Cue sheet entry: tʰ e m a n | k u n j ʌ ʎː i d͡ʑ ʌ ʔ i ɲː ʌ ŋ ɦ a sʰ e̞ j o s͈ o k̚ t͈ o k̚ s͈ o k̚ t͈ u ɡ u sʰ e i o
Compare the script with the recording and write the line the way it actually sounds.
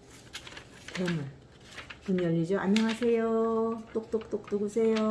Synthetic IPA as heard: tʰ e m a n | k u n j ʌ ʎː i d͡ʑ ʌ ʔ a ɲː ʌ ŋ ɦ a sʰ e̞ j o t͈ o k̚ t͈ o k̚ t͈ o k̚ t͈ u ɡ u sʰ e j o